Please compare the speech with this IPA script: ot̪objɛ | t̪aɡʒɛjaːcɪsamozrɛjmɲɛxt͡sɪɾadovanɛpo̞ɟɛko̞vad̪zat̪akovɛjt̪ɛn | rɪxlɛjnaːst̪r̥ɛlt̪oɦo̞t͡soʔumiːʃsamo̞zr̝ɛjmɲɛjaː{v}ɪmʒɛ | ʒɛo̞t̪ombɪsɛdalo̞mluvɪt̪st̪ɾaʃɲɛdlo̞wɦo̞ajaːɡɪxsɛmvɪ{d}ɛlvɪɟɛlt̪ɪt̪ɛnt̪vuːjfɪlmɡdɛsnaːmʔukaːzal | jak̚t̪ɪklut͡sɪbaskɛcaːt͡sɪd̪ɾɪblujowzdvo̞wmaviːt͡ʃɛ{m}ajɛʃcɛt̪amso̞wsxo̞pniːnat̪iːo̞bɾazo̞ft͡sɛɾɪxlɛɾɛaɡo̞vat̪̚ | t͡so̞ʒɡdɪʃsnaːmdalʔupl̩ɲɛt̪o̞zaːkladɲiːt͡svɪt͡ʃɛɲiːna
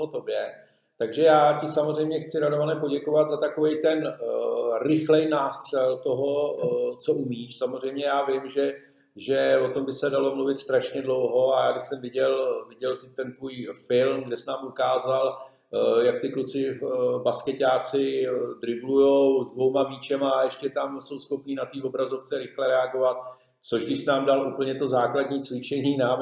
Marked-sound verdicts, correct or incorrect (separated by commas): correct, incorrect, correct